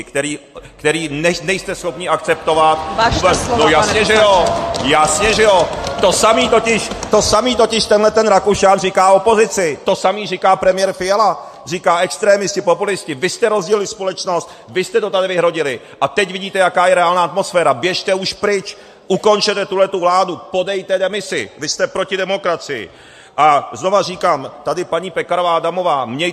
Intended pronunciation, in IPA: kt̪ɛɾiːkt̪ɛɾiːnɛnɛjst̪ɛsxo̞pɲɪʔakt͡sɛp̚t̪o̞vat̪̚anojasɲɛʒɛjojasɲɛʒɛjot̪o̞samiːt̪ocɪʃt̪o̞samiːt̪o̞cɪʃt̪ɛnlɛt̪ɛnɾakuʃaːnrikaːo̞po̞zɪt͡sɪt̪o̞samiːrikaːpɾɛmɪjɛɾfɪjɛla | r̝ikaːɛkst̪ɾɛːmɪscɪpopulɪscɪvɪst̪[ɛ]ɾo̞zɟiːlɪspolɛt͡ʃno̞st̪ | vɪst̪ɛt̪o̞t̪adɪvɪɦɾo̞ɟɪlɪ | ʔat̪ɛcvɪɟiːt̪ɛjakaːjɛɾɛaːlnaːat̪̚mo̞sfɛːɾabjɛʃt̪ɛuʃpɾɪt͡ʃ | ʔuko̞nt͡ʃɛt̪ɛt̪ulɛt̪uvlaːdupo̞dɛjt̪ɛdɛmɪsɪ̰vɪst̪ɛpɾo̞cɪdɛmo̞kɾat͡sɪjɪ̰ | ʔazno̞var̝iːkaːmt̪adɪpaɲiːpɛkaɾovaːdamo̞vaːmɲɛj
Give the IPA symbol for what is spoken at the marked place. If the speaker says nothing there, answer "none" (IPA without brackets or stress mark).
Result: ɛ